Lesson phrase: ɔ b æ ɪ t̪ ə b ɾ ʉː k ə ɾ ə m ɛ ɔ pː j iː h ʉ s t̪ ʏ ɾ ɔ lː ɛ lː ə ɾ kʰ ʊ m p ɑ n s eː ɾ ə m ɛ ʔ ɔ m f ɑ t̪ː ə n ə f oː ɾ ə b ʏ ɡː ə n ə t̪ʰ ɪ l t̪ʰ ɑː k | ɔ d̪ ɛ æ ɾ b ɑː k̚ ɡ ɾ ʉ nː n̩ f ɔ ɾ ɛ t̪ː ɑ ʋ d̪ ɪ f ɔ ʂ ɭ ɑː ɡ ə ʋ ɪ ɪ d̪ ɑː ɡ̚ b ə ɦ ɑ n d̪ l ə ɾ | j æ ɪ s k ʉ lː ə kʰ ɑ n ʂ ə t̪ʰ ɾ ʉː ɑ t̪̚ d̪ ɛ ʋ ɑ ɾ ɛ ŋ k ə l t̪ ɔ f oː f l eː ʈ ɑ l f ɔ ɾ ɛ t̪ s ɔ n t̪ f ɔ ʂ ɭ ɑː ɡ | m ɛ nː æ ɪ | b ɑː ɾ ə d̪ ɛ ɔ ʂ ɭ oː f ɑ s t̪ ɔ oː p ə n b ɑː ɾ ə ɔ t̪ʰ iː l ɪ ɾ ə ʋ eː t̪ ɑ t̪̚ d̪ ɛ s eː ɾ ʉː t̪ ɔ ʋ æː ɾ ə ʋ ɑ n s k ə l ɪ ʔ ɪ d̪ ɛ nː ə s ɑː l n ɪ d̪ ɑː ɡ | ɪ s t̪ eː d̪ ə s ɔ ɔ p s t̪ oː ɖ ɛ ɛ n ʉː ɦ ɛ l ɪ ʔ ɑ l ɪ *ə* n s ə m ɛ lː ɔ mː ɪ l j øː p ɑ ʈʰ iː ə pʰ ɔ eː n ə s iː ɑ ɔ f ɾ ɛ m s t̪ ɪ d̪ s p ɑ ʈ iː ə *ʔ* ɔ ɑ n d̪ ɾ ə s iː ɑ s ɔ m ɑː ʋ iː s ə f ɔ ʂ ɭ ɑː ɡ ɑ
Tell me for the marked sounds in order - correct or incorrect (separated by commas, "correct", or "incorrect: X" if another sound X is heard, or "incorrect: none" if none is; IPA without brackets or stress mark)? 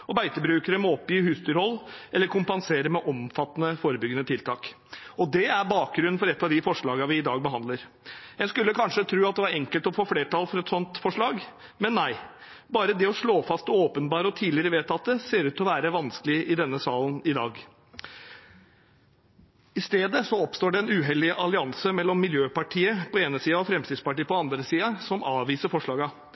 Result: incorrect: ɑ, incorrect: p